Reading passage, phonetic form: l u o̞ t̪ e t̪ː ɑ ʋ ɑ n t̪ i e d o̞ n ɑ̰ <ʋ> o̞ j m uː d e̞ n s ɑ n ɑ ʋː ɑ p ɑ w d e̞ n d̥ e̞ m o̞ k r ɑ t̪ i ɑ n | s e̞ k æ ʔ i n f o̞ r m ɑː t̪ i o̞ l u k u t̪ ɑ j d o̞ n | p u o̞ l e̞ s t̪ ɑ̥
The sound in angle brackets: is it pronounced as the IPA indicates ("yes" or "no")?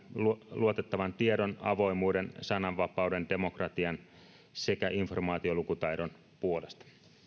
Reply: yes